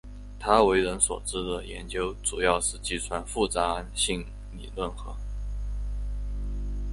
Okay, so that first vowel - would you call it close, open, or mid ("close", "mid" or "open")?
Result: open